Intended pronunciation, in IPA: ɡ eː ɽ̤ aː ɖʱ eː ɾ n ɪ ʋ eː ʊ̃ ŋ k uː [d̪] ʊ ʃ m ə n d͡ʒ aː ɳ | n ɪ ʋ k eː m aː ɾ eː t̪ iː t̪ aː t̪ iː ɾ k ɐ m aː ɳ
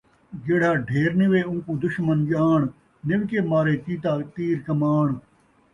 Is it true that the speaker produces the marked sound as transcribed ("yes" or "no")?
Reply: yes